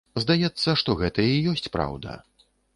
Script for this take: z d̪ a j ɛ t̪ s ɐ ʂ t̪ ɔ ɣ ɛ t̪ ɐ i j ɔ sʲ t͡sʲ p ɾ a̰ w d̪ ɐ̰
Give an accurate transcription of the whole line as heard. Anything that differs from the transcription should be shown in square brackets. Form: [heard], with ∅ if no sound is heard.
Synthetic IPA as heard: z d̪ a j ɛ t̪ [sː] ɐ ʂ t̪ ɔ ɣ ɛ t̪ ɐ i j ɔ sʲ t͡sʲ p ɾ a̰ w d̪ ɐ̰